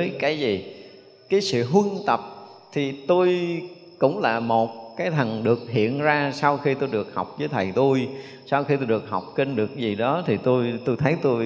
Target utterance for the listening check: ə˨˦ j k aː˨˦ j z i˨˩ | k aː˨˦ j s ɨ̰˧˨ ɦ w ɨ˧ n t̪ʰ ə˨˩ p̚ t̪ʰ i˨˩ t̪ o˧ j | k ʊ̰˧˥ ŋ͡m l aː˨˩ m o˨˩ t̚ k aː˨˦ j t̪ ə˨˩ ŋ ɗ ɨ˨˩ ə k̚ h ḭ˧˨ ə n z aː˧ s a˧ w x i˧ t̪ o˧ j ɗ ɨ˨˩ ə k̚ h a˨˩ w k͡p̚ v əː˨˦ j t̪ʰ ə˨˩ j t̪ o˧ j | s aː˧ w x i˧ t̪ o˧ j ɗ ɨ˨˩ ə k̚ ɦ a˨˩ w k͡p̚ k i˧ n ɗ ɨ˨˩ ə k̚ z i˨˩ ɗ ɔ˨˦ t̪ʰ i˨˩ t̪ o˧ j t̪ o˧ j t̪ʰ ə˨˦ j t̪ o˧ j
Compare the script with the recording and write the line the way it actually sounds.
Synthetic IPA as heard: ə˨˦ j k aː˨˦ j z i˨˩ | k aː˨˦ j s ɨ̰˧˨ ɦ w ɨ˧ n t̪ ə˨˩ p̚ t̪ʰ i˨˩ t̪ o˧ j | k ʊ̰˧˥ ŋ͡m l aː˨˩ m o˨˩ t̚ k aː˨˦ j t̪ʰ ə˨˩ ŋ ɗ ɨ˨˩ ə k̚ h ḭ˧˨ ə n z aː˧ s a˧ w x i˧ t̪ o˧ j ɗ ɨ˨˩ ə k̚ h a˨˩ w k͡p̚ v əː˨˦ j t̪ʰ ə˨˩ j t̪ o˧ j | s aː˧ w x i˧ t̪ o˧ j ɗ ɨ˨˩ ə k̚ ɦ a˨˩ w k͡p̚ k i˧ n ɗ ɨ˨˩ ə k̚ z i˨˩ ɗ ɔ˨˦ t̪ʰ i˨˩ t̪ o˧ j t̪ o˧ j t̪ʰ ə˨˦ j t̪ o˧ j